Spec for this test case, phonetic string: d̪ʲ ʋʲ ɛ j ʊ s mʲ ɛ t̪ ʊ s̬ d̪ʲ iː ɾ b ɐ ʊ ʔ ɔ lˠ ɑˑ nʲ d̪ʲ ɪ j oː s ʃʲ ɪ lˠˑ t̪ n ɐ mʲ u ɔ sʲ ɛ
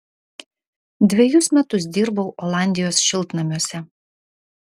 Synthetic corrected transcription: d̪ʲ ʋʲ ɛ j ʊ s mʲ ɛ t̪ ʊ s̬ d̪ʲ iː ɾ b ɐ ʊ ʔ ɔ lˠ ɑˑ nʲ d̪ʲ ɪ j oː s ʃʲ ɪ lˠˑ t̪ n ɐ mʲ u ɔ sʲ ɛ